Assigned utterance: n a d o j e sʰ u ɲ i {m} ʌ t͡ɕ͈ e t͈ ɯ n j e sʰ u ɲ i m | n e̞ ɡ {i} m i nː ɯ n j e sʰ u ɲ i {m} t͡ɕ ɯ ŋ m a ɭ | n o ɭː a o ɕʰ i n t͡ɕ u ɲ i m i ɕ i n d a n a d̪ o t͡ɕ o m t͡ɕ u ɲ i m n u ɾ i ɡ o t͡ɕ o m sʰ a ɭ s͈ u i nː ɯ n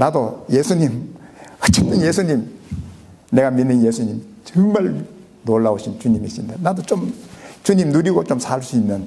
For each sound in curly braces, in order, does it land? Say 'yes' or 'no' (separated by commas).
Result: yes, no, yes